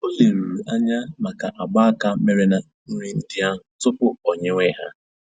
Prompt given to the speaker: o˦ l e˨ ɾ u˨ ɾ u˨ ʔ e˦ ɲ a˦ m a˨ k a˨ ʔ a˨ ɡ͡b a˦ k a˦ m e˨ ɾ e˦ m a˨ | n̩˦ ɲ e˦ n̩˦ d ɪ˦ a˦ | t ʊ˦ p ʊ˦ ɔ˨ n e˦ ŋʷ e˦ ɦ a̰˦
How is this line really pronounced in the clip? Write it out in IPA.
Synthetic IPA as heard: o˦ l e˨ ɾ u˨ ɾ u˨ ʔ a˦ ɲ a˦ m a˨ k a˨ ʔ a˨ ɡ͡b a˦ k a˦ m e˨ ɾ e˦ n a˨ | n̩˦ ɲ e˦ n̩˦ d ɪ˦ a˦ | t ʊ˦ p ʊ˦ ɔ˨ ɲ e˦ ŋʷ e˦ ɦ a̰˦